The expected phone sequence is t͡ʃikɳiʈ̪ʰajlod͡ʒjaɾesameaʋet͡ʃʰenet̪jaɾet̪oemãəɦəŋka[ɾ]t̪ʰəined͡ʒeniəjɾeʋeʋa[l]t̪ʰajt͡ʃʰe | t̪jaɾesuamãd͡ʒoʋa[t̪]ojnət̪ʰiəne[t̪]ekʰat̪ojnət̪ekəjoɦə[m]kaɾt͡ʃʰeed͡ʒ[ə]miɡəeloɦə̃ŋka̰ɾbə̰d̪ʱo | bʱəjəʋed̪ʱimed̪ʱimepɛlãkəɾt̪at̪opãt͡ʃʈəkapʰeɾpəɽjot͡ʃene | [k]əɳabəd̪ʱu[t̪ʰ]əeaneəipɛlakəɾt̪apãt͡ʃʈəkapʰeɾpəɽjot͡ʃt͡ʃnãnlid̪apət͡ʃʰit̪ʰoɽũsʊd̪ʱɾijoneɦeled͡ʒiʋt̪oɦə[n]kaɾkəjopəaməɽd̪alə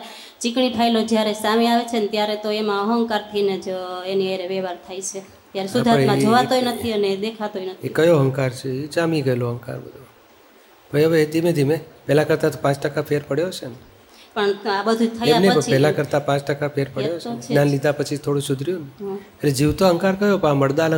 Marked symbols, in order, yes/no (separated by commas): yes, no, yes, no, no, no, no, yes, no